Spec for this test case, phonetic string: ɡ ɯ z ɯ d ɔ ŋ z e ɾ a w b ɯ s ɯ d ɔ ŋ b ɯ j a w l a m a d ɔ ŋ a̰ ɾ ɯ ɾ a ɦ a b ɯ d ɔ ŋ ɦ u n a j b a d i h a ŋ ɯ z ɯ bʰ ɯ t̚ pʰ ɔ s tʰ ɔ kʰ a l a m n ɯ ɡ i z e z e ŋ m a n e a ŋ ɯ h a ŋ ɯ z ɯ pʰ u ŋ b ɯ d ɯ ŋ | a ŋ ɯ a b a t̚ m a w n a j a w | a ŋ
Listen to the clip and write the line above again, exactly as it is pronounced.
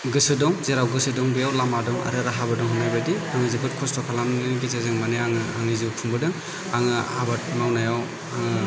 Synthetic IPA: ɡ ɯ s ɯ d ɔ ŋ z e ɾ a w ɡ ɯ s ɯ d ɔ ŋ b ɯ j a w l a m a d ɔ ŋ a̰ ɾ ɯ ɾ a ɦ a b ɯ d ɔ ŋ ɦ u n a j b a d i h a ŋ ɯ z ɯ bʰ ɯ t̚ kʰ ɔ s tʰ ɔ kʰ a l a m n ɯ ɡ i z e z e ŋ m a n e a ŋ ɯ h a ŋ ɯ z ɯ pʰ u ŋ b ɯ d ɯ ŋ | a ŋ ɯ a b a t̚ m a w n a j a w | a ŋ